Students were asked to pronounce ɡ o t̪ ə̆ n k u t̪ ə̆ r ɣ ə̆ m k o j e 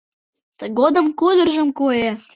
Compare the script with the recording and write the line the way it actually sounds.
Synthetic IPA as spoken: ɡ o d̪ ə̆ m k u d̪ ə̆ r ʒ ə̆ m k o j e